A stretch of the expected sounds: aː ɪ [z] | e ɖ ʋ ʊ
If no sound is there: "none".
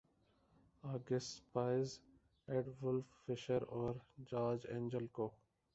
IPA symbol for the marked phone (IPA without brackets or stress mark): z